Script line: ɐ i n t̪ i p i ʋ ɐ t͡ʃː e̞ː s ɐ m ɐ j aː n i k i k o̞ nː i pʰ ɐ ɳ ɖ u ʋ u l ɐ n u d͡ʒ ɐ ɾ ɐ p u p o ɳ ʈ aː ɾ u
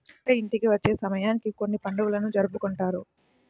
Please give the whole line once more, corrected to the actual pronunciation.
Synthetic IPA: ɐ i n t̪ i k i ʋ ɐ t͡ʃː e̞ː s ɐ m ɐ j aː n i k i k o̞ nː i p ɐ ɳ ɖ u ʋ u l ɐ n u d͡ʒ ɐ ɾ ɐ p u k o ɳ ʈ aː ɾ u